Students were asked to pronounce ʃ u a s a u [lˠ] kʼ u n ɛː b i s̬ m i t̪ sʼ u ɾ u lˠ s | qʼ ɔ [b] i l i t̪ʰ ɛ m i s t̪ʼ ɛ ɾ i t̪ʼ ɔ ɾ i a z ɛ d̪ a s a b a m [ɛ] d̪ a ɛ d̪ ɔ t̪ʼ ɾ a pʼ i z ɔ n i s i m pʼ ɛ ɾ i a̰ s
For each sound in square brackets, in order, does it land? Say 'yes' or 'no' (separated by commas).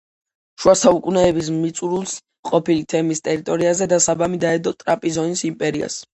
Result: no, no, no